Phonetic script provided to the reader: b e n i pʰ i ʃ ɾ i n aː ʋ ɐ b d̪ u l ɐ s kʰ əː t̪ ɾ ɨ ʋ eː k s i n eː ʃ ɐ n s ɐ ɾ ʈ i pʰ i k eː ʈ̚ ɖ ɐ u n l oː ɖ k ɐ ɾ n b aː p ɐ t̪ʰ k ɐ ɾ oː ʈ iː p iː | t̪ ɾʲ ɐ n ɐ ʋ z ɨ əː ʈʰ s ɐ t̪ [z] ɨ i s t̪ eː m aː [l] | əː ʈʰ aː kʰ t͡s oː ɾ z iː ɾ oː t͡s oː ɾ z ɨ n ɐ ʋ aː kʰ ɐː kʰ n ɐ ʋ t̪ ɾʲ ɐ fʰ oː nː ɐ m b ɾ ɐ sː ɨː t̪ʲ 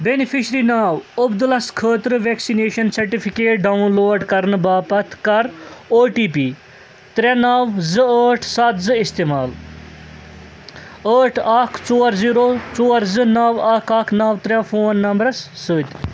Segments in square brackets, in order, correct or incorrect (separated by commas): correct, correct